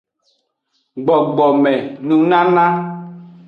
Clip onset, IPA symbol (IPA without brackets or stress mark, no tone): ɡ͡b